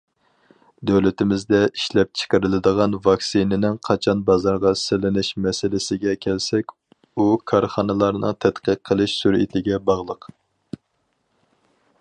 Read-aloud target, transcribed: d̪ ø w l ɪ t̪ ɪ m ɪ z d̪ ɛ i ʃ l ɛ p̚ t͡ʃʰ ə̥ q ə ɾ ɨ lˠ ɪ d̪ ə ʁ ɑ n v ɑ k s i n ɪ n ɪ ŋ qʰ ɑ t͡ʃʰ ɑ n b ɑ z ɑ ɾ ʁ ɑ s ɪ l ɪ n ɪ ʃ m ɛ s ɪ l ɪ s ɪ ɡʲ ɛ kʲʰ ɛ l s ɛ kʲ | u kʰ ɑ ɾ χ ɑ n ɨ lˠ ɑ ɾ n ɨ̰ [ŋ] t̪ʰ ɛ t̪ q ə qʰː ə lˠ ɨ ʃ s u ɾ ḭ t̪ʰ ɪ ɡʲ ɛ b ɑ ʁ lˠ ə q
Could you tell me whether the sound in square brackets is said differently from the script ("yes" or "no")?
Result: no